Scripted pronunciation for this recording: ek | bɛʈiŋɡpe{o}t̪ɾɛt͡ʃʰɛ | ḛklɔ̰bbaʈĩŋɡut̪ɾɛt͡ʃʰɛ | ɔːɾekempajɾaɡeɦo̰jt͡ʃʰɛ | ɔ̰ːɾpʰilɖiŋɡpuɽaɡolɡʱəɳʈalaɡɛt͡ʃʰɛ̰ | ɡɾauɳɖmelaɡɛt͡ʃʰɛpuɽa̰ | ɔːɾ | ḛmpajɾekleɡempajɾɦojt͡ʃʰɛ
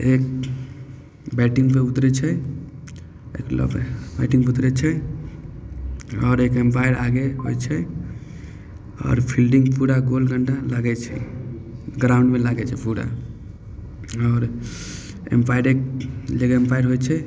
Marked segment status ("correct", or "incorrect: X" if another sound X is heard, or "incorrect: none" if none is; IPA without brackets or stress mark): incorrect: u